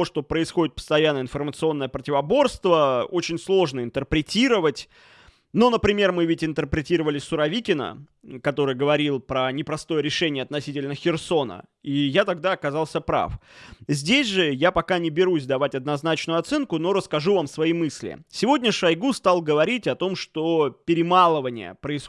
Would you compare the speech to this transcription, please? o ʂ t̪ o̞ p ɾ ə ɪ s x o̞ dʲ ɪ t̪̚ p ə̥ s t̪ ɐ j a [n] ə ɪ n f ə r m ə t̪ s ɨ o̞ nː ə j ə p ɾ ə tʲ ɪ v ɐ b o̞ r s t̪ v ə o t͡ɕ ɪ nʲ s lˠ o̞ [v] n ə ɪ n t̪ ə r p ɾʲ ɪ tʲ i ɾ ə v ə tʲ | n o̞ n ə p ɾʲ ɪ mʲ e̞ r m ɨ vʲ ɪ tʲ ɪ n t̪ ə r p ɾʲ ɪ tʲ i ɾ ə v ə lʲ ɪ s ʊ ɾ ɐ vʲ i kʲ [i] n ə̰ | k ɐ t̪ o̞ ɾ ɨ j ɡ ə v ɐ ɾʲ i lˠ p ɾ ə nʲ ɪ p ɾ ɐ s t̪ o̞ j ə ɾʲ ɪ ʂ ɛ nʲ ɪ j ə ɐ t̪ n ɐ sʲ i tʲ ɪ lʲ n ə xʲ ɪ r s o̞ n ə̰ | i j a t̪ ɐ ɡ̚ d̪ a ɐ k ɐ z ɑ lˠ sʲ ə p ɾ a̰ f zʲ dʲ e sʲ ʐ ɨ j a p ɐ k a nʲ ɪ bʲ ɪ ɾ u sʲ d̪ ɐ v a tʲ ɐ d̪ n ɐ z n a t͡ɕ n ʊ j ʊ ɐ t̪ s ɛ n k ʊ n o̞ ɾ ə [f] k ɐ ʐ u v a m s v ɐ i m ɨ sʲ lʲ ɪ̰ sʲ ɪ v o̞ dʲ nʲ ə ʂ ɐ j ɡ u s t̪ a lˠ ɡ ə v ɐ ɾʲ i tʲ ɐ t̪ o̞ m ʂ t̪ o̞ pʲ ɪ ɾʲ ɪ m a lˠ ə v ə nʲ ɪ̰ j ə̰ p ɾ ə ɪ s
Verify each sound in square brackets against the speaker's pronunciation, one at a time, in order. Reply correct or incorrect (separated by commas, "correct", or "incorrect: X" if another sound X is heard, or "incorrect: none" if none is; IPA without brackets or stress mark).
incorrect: nː, incorrect: ʐ, incorrect: ɪ, incorrect: s